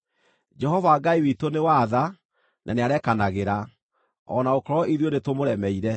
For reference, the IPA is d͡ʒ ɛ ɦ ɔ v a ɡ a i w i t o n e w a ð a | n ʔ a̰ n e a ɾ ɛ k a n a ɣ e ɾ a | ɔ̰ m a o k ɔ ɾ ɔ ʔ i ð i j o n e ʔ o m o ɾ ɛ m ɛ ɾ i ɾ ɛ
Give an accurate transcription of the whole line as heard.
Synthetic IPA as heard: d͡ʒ ɛ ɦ ɔ v a ɡ a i w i t o n e w a ð a | n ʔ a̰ n e a ɾ ɛ k a n a ɣ e ɾ a | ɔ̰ n a o k ɔ ɾ ɔ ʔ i ð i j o n e t o m o ɾ ɛ m ɛ i ɾ ɛ